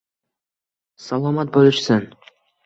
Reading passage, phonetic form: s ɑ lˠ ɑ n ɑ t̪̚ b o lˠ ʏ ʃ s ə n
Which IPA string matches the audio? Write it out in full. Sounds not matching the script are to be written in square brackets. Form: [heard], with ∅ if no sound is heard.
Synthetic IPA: s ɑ lˠ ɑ [m] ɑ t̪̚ b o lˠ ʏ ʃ s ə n

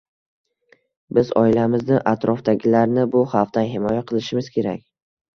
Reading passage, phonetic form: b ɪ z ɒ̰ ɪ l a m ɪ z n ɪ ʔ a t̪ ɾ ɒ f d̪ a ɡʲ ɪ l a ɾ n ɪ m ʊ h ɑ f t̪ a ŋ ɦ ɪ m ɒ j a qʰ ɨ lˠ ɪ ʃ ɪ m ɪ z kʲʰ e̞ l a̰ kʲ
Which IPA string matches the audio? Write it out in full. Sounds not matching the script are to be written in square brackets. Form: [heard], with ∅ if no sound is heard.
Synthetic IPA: b ɪ z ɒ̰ ɪ l a m ɪ z n ɪ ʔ a t̪ ɾ ɒ f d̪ a ɡʲ ɪ l a ɾ n ɪ [b] ʊ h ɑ f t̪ a [n] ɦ ɪ m ɒ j a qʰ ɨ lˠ ɪ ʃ ɪ m ɪ z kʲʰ e̞ [ɾ] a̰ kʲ

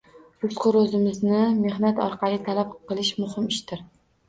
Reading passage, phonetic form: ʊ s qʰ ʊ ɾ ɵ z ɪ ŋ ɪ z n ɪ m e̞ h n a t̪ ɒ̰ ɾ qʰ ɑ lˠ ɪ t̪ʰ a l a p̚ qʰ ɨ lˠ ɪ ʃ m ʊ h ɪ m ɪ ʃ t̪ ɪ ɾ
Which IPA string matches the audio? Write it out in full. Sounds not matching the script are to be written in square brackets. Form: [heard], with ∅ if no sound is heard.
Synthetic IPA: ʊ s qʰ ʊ ɾ ɵ z ɪ [m] ɪ z n ɪ m e̞ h n a t̪ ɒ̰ ɾ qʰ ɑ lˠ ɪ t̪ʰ a l a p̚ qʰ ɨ lˠ ɪ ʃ m ʊ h ɪ m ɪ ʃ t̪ ɪ ɾ

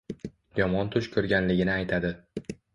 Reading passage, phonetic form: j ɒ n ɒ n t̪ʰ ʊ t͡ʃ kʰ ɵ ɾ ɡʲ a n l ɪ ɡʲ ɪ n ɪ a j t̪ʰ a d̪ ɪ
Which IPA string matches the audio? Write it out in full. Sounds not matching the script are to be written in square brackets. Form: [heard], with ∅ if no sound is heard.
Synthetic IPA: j ɒ [m] ɒ n t̪ʰ ʊ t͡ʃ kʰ ɵ ɾ ɡʲ a n l ɪ ɡʲ ɪ n ɪ a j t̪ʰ a d̪ ɪ

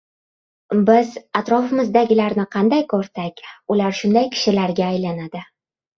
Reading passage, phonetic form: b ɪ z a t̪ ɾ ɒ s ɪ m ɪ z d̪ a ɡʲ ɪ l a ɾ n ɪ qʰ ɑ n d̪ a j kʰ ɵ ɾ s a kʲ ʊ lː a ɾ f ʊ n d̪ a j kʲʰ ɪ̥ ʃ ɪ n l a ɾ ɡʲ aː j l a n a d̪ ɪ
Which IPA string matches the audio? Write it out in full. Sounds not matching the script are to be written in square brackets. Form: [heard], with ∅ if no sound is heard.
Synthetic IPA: b ɪ z a t̪ ɾ ɒ [f] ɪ m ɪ z d̪ a ɡʲ ɪ l a ɾ n ɪ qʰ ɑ n d̪ a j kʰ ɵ ɾ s a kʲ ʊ [l] a ɾ [ʃ] ʊ n d̪ a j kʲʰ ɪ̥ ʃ ɪ [∅] l a ɾ ɡʲ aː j l a n a d̪ ɪ

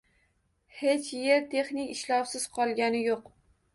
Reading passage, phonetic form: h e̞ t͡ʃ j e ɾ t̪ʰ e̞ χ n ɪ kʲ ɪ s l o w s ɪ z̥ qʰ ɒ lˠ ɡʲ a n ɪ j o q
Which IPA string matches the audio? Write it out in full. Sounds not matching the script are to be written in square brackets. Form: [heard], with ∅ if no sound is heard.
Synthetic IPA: h e̞ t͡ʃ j e ɾ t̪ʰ e̞ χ n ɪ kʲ ɪ [ʃ] l [ɒ] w s ɪ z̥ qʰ ɒ lˠ ɡʲ a n ɪ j o q

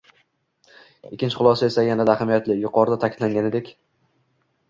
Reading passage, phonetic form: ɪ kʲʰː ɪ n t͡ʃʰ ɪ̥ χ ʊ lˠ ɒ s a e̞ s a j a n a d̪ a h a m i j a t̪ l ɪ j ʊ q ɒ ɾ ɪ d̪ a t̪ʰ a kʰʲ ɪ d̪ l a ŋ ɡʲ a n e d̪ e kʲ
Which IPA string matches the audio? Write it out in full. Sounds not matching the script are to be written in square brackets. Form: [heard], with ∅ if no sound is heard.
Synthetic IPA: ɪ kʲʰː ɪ n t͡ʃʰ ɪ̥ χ ʊ lˠ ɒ s a e̞ s a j a n a d̪ a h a m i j a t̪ l ɪ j ʊ q ɒ ɾ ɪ d̪ a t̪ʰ a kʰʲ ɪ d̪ l a ŋ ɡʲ a n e d̪ e kʲ

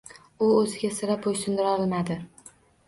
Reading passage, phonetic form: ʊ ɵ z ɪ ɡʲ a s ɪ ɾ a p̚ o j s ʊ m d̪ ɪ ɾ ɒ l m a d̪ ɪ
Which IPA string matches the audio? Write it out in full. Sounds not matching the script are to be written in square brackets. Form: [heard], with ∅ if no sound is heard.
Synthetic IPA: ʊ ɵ z ɪ ɡʲ a s ɪ ɾ a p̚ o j s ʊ [n] d̪ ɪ ɾ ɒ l m a d̪ ɪ

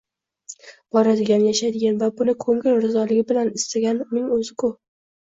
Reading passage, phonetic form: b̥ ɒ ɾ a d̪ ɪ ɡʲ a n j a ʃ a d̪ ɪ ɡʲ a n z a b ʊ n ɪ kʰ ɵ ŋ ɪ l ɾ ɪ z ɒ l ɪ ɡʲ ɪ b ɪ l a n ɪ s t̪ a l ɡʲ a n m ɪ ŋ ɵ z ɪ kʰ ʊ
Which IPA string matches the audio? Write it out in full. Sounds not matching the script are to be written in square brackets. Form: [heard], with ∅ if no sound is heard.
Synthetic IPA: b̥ ɒ ɾ a d̪ ɪ ɡʲ a n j a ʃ a d̪ ɪ ɡʲ a n [v] a b ʊ n ɪ kʰ ɵ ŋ ɪ l ɾ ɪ z ɒ l ɪ ɡʲ ɪ b ɪ l a n ɪ s t̪ a [∅] ɡʲ a n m ɪ ŋ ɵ z ɪ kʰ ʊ

